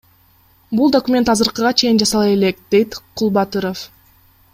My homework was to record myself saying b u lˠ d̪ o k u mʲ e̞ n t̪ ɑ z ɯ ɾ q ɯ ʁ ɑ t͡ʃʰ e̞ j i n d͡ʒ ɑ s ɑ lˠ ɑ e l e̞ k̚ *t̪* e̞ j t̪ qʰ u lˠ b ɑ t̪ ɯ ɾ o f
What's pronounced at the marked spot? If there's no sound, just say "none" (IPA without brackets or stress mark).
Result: d̪